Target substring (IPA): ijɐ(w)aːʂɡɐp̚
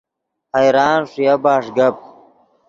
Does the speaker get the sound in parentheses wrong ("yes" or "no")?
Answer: yes